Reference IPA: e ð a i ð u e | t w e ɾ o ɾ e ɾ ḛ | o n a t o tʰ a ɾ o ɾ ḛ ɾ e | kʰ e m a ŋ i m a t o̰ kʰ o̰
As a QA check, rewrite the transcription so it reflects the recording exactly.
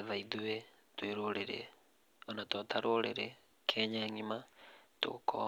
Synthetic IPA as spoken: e ð a i ð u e | t w e ɾ o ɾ e ɾ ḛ | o n a t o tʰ a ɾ o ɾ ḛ ɾ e | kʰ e ɲ a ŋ i m a t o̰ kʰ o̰